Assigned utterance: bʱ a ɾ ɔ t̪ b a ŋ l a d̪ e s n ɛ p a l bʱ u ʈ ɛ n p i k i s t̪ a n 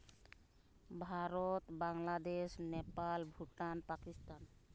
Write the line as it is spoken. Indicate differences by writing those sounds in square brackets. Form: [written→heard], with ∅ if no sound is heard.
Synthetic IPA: bʱ a ɾ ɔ t̪ b a ŋ l a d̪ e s n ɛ p a l bʱ u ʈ [ɛ→a] n p [i→a] k i s t̪ a n